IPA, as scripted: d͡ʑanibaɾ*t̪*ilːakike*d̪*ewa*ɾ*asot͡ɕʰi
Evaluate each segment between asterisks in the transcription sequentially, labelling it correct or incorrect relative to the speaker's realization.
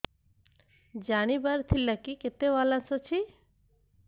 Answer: incorrect, incorrect, incorrect

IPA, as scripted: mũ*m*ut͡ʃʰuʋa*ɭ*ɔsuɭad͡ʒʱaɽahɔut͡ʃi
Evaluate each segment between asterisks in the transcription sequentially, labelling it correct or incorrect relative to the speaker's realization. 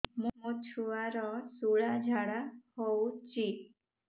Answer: correct, incorrect

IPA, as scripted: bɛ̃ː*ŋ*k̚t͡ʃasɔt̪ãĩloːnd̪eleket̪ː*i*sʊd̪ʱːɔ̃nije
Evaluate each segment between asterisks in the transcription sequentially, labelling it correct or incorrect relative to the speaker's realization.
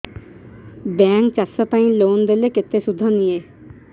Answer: correct, incorrect

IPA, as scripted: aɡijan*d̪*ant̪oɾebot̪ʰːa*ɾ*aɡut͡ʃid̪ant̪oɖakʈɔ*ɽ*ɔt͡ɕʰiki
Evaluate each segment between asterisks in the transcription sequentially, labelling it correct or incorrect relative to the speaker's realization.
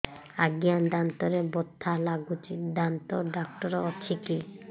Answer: correct, incorrect, incorrect

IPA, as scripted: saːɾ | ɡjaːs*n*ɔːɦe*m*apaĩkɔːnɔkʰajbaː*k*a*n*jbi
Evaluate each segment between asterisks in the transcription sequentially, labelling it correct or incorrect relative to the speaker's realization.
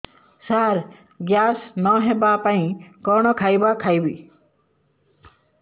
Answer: correct, incorrect, incorrect, incorrect

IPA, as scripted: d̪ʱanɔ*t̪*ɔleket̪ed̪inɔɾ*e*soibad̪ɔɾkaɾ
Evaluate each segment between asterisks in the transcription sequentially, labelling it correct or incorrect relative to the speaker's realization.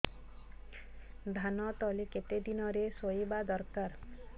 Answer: correct, correct

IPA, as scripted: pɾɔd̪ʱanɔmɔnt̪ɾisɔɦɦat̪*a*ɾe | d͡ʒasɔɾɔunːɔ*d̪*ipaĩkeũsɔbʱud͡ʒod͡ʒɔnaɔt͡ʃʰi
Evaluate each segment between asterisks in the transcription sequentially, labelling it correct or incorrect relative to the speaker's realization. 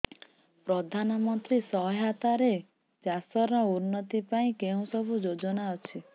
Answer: correct, incorrect

